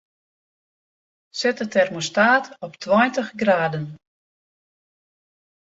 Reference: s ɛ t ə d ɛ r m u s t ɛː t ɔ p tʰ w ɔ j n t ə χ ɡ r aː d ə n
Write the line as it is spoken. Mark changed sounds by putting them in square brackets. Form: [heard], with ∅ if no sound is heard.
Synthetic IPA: s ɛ t ə [t] ɛ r m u s t [aː] t ɔ p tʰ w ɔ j n t ə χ ɡ r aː d ə n